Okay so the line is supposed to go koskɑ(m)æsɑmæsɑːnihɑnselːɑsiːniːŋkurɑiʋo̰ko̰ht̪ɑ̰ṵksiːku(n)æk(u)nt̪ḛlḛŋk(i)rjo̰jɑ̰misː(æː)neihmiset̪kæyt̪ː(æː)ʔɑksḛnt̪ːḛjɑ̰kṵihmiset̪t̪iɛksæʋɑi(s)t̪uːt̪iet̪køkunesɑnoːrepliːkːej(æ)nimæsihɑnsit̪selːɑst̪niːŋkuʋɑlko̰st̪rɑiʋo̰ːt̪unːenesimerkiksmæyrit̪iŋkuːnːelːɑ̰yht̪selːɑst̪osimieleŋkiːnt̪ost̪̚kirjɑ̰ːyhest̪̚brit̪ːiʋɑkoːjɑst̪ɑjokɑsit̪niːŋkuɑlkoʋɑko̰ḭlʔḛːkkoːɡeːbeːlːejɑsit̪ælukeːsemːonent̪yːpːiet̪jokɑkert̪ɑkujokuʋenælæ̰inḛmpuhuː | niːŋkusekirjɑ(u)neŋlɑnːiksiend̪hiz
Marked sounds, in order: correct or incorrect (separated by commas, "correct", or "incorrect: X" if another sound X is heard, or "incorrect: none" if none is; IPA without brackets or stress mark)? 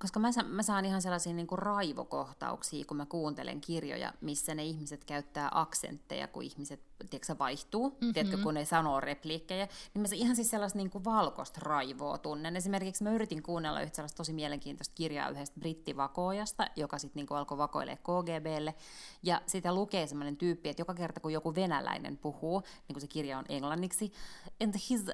correct, incorrect: m, incorrect: uː, correct, incorrect: æ, correct, incorrect: h, correct, incorrect: o